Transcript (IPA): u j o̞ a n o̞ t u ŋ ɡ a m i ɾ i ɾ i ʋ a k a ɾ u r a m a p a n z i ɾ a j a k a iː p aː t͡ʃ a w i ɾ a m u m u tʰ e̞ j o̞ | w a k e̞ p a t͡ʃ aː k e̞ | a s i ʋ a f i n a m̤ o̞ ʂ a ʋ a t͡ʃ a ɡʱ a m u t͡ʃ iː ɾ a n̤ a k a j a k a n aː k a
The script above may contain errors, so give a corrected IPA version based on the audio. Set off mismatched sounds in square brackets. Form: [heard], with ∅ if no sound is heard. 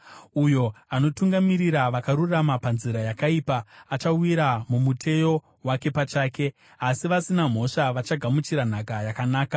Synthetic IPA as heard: u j o̞ a n o̞ t u ŋ ɡ a m i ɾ i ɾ [a] ʋ a k a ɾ u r a m a p a n z i ɾ a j a k a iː p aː t͡ʃ a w i ɾ a m u m u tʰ e̞ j o̞ | w a k e̞ p a t͡ʃ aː k e̞ | a s i ʋ a [s] i n a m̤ o̞ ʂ a ʋ a t͡ʃ a ɡʱ a m u t͡ʃ [i] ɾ a n̤ a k a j a k a n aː k a